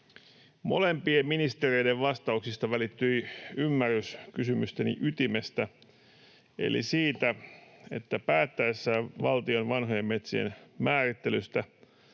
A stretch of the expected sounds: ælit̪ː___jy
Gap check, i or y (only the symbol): y